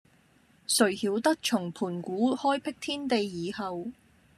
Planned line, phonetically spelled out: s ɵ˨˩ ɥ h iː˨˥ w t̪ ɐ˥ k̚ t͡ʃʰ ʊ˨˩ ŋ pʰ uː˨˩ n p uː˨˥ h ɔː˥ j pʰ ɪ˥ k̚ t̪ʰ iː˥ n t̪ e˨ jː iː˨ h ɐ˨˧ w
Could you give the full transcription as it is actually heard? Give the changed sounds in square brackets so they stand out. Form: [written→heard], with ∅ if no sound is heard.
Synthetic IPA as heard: s ɵ˨˩ ɥ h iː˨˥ w t̪ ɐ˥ k̚ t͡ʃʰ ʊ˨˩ ŋ pʰ uː˨˩ n [p→k] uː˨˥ h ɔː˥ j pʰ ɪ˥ k̚ t̪ʰ iː˥ n t̪ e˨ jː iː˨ h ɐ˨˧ w